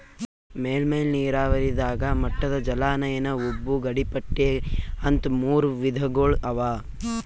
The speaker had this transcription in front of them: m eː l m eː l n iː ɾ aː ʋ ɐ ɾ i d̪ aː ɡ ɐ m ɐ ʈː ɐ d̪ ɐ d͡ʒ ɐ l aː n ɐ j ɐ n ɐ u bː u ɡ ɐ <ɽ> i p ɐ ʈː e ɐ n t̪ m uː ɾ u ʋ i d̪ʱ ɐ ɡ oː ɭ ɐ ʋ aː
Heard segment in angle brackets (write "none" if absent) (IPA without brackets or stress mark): ɽ